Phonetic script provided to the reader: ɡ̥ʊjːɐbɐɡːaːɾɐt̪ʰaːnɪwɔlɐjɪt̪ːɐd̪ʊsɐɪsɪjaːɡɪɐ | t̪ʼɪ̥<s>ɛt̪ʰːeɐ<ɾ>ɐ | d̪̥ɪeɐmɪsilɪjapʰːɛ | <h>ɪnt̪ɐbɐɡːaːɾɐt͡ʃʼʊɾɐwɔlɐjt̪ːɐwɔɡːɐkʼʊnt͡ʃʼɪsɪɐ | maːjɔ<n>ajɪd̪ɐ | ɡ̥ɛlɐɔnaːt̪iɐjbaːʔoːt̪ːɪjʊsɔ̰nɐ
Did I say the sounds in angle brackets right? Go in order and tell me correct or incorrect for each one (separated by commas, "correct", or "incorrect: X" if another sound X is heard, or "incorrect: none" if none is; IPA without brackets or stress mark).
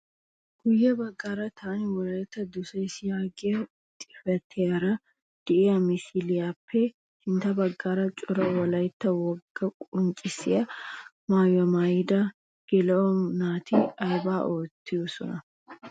incorrect: f, correct, correct, incorrect: m